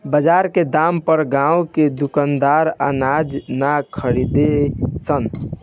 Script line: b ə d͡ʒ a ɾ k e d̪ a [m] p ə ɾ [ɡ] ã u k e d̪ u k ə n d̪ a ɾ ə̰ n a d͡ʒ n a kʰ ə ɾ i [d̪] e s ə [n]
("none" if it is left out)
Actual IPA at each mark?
m, ɡ, d̪, n

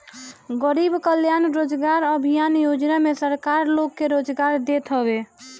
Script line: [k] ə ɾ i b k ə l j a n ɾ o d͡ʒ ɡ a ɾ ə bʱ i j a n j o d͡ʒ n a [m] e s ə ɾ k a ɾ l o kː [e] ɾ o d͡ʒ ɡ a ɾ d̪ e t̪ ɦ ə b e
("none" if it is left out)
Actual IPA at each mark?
ɡ, m, e

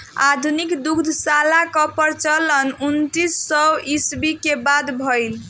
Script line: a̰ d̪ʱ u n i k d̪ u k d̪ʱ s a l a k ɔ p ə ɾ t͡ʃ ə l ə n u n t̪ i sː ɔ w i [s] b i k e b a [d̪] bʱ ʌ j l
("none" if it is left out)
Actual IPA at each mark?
s, d̪

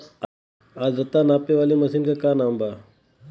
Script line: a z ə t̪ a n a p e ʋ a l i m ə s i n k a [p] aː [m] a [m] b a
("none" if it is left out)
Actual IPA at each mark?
k, n, m

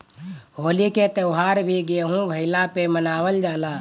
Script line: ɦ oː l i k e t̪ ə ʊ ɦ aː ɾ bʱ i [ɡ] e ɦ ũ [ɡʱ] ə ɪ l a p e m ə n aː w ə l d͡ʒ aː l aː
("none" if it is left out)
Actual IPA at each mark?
ɡ, bʱ

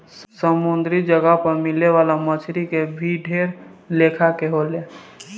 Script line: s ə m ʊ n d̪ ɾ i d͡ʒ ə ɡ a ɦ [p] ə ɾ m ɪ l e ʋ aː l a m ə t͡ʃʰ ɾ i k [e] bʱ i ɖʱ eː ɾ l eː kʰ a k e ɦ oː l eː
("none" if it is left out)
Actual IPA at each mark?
p, e

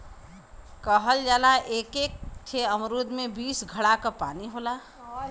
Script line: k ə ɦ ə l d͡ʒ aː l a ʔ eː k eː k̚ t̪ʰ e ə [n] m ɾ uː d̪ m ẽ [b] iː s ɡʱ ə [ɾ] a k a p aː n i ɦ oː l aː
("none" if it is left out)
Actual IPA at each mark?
none, b, ɽ

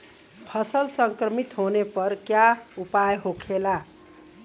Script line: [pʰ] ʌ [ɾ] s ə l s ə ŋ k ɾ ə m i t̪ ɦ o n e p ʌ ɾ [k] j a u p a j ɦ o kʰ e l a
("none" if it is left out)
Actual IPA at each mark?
pʰ, none, k

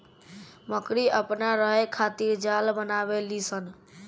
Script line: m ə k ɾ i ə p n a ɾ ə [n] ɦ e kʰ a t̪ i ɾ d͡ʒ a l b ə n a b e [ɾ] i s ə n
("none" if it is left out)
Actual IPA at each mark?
none, l

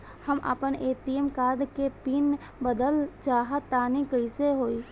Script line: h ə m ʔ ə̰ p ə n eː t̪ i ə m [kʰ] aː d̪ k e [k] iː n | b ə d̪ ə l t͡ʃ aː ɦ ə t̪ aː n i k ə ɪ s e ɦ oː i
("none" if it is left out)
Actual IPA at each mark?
k, p

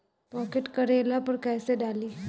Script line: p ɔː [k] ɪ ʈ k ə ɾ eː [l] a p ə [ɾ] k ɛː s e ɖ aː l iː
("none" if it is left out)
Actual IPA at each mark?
k, l, ɾ

